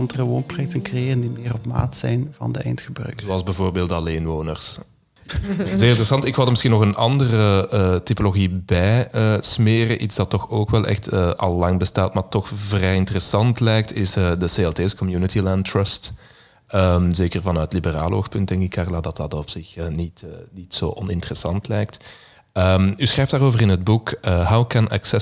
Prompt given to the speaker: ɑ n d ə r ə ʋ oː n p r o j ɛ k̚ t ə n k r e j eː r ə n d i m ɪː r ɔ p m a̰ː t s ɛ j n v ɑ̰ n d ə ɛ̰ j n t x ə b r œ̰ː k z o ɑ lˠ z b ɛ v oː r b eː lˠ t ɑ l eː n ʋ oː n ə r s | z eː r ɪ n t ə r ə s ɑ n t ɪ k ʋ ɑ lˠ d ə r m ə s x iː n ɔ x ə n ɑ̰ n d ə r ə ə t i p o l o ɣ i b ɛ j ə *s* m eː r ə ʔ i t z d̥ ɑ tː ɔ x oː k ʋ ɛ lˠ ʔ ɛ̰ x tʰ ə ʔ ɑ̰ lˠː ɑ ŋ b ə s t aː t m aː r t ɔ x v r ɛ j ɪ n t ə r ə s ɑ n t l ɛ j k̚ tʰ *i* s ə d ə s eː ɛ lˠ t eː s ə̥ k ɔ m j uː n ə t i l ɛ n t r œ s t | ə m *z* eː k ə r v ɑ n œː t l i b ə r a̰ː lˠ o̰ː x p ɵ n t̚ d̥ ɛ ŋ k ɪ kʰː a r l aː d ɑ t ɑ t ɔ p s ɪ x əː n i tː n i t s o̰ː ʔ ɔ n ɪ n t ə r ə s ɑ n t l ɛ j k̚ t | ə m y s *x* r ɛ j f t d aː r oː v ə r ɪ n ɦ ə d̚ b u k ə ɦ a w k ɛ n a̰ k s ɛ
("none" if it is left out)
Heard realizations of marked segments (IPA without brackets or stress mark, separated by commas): s, ɪ, z, x